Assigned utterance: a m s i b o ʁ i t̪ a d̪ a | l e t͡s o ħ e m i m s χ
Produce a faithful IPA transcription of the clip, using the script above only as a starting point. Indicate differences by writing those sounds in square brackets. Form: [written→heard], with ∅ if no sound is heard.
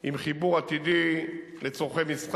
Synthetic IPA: [a→i] m [s→χ] i b [o→u] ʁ [i→a] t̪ [a→i] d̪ [a→i] | l e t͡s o [ħ→χ] e m i [m→∅] s χ